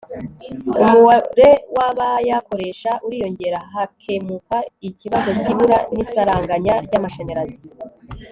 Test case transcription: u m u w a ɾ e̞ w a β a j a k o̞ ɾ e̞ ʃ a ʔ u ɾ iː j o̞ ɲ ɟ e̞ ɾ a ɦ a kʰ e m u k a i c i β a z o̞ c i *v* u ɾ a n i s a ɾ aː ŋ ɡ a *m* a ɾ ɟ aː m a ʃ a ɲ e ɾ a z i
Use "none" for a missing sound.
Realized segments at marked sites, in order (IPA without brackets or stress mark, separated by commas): β, ɲ